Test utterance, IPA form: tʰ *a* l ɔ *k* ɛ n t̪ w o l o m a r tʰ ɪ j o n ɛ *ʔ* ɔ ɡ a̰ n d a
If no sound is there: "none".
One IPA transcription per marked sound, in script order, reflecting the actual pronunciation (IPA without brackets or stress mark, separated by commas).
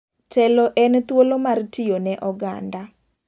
ɛ, ʔ, ʔ